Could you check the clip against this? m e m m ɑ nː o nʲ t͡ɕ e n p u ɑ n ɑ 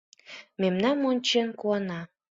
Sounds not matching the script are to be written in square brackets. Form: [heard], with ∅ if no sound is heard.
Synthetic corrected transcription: m e m [n] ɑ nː o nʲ t͡ɕ e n [k] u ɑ n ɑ

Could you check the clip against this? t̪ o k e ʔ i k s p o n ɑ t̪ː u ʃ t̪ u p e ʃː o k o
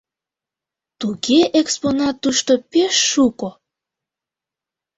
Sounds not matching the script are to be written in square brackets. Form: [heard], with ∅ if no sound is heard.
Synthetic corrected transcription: t̪ [u] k e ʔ [e] k s p o n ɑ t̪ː u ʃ t̪ [o] p e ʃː [u] k o

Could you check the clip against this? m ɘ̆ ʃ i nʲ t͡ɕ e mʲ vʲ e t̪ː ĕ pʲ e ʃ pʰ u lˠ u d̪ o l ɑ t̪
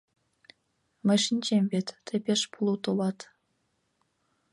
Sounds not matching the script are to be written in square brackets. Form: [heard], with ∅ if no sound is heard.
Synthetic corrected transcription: m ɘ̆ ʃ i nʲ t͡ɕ e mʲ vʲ e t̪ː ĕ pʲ e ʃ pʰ u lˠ u [t̪] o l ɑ t̪

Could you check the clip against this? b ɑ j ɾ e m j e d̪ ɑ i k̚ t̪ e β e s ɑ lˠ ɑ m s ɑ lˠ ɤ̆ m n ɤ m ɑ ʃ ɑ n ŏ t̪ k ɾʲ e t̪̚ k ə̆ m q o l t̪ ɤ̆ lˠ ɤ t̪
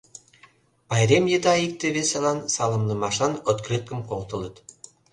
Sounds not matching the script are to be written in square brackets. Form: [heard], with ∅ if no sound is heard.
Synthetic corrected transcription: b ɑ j ɾ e m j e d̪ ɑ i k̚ t̪ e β e s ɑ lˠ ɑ [n] s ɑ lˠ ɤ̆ m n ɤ m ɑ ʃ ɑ n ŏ t̪ k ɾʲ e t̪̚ k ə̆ m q o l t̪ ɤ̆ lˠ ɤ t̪

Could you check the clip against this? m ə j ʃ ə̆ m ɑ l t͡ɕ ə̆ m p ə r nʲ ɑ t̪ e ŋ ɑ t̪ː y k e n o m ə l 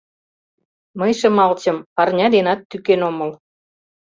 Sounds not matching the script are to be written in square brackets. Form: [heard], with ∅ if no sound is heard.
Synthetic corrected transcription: m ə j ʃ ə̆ m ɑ l t͡ɕ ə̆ m p [ɑ] r nʲ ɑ [d̪] e [n] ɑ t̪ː y k e n o m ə l

